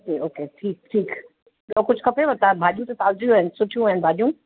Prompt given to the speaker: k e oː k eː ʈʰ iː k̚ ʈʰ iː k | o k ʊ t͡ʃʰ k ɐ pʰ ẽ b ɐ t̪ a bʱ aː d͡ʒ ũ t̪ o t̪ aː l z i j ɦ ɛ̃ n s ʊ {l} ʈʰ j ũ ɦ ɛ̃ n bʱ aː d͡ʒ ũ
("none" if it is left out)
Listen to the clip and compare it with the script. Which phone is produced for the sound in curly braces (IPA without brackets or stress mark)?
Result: none